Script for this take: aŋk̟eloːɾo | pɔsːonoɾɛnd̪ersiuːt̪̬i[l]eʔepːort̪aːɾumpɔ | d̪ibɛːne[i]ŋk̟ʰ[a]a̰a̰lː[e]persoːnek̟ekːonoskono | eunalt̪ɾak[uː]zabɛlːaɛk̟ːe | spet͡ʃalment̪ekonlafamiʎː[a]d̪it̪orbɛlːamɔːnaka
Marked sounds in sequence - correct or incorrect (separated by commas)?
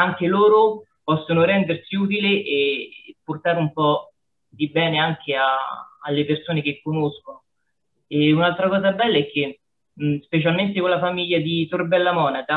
correct, incorrect, incorrect, correct, incorrect, correct